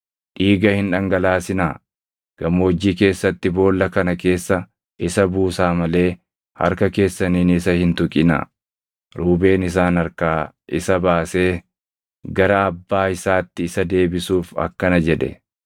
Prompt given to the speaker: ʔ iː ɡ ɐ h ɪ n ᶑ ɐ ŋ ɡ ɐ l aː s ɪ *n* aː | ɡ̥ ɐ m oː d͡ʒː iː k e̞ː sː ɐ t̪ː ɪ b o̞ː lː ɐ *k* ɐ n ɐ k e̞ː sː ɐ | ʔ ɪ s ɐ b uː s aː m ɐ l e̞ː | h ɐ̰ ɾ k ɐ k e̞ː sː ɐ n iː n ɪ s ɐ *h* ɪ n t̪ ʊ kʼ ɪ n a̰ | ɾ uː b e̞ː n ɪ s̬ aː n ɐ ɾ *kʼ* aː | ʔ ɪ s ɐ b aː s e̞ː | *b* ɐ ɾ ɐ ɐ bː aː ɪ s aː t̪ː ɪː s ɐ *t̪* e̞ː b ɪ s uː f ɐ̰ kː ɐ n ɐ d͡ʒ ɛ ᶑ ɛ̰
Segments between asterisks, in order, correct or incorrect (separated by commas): correct, correct, correct, incorrect, incorrect, incorrect